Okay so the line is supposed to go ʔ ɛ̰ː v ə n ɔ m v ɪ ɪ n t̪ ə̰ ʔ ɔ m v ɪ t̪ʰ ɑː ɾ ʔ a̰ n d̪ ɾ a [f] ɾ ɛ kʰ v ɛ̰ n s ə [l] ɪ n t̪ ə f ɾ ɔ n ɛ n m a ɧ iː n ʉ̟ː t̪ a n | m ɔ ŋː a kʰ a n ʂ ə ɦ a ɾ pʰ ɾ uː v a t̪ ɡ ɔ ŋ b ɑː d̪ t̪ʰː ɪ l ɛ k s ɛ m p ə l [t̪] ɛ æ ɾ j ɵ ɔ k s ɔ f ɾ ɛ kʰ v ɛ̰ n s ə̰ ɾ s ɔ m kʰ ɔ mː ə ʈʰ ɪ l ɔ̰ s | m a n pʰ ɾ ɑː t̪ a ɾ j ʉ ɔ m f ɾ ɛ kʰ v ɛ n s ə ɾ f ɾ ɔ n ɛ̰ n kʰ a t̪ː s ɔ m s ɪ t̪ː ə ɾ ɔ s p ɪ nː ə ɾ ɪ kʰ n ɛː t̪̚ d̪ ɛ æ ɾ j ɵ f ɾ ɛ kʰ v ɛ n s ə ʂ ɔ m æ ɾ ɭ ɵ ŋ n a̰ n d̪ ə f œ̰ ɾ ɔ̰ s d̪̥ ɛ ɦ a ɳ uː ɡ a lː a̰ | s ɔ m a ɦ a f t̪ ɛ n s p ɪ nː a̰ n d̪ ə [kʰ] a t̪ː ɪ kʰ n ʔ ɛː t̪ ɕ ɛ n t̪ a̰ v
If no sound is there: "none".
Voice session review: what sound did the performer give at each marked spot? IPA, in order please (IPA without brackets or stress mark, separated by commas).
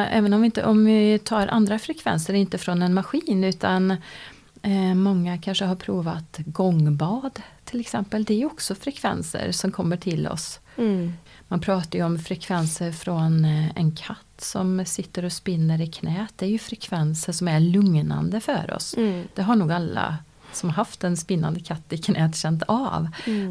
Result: f, ɾ, d̪, kʰ